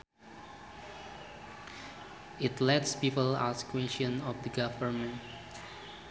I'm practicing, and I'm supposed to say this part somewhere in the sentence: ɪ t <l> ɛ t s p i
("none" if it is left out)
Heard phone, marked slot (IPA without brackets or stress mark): l